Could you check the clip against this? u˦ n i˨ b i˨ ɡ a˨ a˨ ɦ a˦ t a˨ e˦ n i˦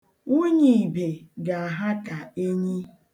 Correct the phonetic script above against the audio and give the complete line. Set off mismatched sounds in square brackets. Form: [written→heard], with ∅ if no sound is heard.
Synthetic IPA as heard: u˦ [n→ɲ] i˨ b [i˨→e˨] ɡ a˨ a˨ ɦ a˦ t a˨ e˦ [n→ɲ] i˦